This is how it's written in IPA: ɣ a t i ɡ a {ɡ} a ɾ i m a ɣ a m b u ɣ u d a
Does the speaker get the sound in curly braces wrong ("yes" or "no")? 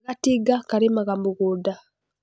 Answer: yes